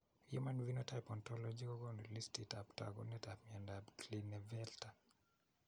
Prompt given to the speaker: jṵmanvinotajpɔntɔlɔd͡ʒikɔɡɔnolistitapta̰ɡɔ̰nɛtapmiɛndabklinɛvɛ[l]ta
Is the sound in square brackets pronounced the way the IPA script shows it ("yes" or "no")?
yes